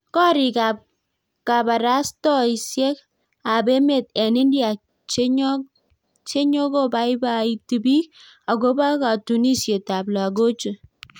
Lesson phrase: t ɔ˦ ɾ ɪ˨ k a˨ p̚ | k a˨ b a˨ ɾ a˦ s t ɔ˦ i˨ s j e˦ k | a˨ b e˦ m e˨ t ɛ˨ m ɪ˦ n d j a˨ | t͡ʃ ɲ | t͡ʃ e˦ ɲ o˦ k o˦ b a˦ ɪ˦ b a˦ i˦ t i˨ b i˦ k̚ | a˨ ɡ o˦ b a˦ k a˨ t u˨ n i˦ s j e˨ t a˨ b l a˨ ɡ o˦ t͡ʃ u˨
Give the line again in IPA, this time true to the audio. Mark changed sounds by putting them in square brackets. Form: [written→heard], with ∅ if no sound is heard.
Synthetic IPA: [t→k] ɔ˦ ɾ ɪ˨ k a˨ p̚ | k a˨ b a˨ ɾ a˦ s t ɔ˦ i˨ s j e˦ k | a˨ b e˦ m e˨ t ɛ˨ [m→n] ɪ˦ n d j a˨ | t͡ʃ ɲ | t͡ʃ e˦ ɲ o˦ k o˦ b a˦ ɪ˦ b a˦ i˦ t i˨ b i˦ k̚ | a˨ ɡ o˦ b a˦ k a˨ t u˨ n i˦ s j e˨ t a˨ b l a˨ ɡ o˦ t͡ʃ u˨